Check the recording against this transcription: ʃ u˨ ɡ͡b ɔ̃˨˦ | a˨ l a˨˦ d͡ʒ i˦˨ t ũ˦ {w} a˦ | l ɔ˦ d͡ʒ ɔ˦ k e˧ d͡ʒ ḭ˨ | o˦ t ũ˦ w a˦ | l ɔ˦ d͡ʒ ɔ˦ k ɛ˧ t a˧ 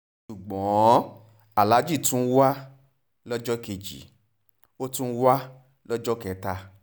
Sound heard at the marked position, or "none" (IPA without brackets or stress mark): w